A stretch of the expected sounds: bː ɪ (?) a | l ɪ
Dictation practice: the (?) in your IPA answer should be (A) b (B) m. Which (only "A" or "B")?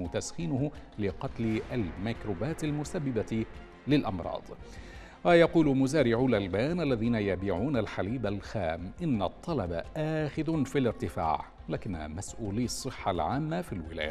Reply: A